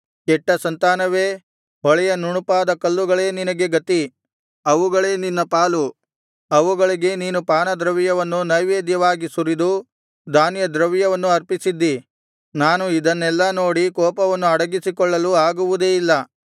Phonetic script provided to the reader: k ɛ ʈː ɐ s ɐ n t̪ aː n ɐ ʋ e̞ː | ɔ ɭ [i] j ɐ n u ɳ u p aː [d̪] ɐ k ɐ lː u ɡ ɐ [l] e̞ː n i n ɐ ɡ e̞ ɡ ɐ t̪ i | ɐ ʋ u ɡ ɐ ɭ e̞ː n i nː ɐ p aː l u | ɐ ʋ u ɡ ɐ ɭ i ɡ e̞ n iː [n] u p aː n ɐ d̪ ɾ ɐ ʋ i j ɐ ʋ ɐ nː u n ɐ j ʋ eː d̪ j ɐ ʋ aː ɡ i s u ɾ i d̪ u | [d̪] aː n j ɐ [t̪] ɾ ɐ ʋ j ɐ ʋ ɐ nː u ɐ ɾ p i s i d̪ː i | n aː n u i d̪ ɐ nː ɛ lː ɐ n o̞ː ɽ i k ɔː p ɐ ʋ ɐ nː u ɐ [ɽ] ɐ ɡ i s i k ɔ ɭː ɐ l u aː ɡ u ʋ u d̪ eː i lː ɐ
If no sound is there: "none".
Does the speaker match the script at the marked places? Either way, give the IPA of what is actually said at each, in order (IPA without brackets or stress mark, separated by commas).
ɛ, d̪, ɭ, n, d̪, d̪, ɽ